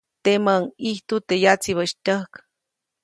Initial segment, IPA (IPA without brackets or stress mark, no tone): t̪